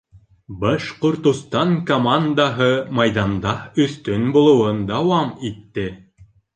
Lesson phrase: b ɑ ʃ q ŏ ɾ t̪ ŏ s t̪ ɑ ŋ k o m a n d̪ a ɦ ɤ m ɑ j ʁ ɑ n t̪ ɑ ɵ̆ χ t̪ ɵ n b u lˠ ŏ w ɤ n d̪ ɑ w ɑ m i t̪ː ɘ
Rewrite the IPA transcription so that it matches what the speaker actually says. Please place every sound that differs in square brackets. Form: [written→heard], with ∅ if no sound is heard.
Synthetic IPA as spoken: b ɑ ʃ q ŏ ɾ t̪ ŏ s t̪ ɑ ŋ k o m a n d̪ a ɦ ɤ m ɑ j [ʁ→ð] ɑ n [t̪→d̪] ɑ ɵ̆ [χ→θ] t̪ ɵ n b u lˠ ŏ w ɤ n d̪ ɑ w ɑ m i t̪ː ɘ

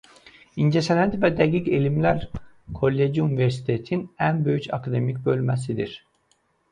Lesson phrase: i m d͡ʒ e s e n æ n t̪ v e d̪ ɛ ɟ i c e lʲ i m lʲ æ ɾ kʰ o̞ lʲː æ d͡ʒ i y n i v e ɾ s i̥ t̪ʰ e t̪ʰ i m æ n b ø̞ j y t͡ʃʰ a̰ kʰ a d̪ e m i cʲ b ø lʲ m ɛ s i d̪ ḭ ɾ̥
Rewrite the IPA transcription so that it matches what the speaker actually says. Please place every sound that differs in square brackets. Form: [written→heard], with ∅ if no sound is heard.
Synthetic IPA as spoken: i [m→n] d͡ʒ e s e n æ n t̪ v [e→ɛ] d̪ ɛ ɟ i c e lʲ i m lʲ æ ɾ kʰ o̞ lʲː [æ→e] d͡ʒ i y n i v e ɾ s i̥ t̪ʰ e t̪ʰ i [m→n] æ n b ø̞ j y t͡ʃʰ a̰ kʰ a d̪ e m i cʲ b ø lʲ m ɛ s i d̪ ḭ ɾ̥

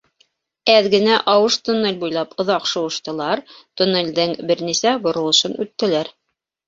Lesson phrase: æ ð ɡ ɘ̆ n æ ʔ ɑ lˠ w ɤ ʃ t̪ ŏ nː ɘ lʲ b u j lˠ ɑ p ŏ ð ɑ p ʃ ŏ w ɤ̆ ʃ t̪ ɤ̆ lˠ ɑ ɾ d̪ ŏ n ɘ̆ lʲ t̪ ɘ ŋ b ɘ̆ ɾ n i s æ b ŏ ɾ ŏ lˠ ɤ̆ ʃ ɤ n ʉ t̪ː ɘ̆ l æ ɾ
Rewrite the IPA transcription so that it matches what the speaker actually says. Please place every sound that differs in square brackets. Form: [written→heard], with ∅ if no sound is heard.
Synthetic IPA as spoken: æ ð ɡ ɘ̆ n æ ʔ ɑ [lˠ→∅] w ɤ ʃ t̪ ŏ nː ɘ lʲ b u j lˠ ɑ p ŏ ð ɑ [p→q] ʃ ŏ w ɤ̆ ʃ t̪ ɤ̆ lˠ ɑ ɾ [d̪→t̪] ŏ n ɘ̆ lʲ [t̪→d̪] ɘ ŋ b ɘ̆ ɾ n i s æ b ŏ ɾ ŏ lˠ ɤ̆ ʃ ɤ n ʉ t̪ː ɘ̆ l æ ɾ

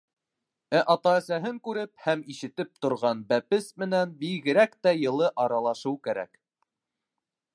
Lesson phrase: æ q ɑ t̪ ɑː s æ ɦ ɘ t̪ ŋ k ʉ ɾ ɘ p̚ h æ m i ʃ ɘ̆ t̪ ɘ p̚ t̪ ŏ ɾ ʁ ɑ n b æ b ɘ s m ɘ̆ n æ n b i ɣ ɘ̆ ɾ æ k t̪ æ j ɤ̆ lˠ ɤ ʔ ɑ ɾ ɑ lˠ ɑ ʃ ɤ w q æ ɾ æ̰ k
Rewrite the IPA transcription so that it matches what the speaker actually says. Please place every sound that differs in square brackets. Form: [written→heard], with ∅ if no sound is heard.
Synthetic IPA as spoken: æ [q→ʔ] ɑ t̪ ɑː s æ ɦ ɘ [t̪→∅] ŋ k ʉ ɾ ɘ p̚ h æ m i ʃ ɘ̆ t̪ ɘ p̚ t̪ ŏ ɾ ʁ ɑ n b æ [b→p] ɘ s m ɘ̆ n æ n b i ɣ ɘ̆ ɾ æ k t̪ æ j ɤ̆ lˠ ɤ ʔ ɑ ɾ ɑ lˠ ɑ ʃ ɤ w [q→k] æ ɾ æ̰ k

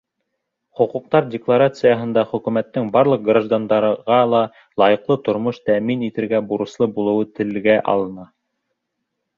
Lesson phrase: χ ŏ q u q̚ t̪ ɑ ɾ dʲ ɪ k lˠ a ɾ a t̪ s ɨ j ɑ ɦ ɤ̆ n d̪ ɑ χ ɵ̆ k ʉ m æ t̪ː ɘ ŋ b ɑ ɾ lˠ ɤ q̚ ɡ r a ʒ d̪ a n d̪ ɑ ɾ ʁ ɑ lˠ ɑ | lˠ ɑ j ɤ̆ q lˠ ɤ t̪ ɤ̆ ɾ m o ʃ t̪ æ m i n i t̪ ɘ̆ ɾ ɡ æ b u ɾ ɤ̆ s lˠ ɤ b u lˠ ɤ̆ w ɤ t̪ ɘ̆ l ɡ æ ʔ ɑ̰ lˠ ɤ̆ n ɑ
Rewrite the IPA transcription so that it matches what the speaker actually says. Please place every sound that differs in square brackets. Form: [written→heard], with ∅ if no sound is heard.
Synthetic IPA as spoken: χ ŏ q u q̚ t̪ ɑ ɾ dʲ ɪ k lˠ a ɾ a t̪ s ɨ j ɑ ɦ ɤ̆ n d̪ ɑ χ ɵ̆ k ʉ m æ t̪ː ɘ ŋ b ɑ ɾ lˠ ɤ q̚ ɡ r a ʒ d̪ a n d̪ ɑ ɾ ʁ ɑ lˠ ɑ | lˠ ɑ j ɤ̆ q lˠ ɤ t̪ [ɤ̆→ŏ] ɾ m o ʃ t̪ æ m i n i t̪ ɘ̆ ɾ ɡ æ b u ɾ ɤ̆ s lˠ ɤ b u lˠ ɤ̆ w ɤ t̪ ɘ̆ l ɡ æ ʔ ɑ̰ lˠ ɤ̆ n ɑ

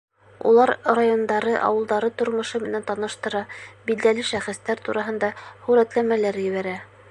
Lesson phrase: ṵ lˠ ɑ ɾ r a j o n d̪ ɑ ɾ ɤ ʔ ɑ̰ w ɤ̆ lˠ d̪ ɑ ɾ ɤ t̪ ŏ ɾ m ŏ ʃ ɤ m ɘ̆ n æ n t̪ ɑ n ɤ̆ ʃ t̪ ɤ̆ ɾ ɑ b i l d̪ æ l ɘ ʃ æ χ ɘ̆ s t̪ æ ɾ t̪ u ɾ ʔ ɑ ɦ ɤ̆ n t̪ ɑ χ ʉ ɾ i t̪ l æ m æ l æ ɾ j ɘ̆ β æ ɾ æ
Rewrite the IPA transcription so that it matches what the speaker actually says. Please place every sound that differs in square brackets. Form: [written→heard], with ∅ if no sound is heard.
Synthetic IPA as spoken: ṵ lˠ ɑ ɾ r a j o n d̪ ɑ ɾ ɤ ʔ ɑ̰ w ɤ̆ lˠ d̪ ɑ ɾ ɤ t̪ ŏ ɾ m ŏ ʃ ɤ m ɘ̆ n æ n t̪ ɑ n ɤ̆ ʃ t̪ ɤ̆ ɾ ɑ b i l d̪ æ l ɘ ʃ æ χ ɘ̆ s t̪ æ ɾ t̪ u ɾ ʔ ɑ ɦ ɤ̆ n [t̪→d̪] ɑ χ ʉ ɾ [i→æ] t̪ l æ m æ l æ ɾ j ɘ̆ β æ ɾ æ

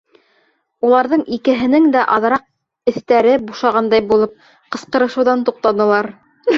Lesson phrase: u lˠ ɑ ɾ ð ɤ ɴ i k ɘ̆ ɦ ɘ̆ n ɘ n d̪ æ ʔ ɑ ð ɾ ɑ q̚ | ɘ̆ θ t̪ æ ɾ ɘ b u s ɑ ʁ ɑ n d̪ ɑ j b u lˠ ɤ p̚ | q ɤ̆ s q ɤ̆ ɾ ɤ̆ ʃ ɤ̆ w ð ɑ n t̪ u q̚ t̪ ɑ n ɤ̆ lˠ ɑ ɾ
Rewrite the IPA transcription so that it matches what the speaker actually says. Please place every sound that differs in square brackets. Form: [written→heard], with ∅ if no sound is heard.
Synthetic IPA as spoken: u lˠ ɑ ɾ ð ɤ ɴ i k ɘ̆ ɦ ɘ̆ n ɘ [n→ŋ] d̪ æ ʔ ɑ ð ɾ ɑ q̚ | ɘ̆ θ t̪ æ ɾ ɘ b u [s→ʃ] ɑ ʁ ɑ n d̪ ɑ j b u lˠ ɤ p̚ | q ɤ̆ s q ɤ̆ ɾ ɤ̆ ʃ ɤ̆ w ð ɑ n t̪ u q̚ t̪ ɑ n ɤ̆ lˠ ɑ ɾ

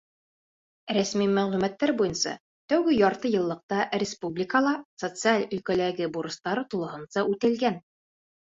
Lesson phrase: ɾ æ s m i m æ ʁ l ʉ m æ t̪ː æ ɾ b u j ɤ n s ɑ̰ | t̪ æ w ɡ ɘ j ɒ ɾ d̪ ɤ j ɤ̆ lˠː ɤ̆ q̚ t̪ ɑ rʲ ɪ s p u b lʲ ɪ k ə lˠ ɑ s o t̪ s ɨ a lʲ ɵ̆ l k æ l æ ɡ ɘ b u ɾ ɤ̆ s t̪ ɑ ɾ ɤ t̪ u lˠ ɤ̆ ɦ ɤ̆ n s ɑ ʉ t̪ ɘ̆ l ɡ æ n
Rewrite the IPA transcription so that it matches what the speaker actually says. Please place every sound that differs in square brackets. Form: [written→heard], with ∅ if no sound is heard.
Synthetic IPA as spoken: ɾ æ s m i m æ ʁ l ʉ m æ t̪ː æ ɾ b u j ɤ n s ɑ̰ | t̪ æ w ɡ ɘ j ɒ ɾ [d̪→t̪] ɤ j ɤ̆ lˠː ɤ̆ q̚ t̪ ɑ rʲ ɪ s p u b lʲ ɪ k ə lˠ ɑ s o t̪ s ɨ a lʲ ɵ̆ l k æ l æ ɡ ɘ b u ɾ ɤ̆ s t̪ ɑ ɾ ɤ t̪ u lˠ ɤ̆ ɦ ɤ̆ n s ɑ ʉ t̪ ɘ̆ l ɡ æ n

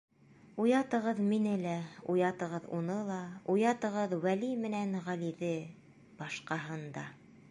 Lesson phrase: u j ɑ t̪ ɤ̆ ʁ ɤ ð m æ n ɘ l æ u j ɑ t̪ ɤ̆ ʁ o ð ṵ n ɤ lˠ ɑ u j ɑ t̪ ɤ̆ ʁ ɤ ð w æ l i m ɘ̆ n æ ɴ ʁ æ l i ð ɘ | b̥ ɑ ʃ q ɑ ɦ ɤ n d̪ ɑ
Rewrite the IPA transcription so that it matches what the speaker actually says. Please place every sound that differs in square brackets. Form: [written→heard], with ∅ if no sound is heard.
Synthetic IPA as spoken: u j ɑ t̪ ɤ̆ ʁ ɤ ð m [æ→i] n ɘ l æ u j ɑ t̪ ɤ̆ ʁ [o→ɤ] ð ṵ n ɤ lˠ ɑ u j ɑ t̪ ɤ̆ ʁ ɤ ð w æ l i m ɘ̆ n æ [ɴ→n] ʁ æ l i ð ɘ | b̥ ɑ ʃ q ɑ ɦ ɤ n d̪ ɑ

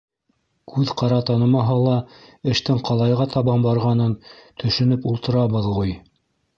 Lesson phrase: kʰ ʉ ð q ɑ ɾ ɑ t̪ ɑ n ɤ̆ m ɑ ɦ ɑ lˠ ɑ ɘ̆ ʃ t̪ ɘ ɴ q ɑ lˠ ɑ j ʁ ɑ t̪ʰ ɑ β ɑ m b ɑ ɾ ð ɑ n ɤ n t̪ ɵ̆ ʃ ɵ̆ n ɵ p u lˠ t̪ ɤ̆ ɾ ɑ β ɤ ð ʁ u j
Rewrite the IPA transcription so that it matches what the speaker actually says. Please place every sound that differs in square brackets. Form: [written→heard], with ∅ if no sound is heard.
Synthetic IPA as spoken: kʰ ʉ ð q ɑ ɾ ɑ t̪ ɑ n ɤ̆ m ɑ ɦ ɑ lˠ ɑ ɘ̆ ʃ t̪ ɘ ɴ q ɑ lˠ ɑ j ʁ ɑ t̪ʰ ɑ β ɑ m b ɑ ɾ [ð→ʁ] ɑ n ɤ n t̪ ɵ̆ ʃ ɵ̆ n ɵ p u lˠ t̪ ɤ̆ ɾ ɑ β ɤ ð ʁ u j

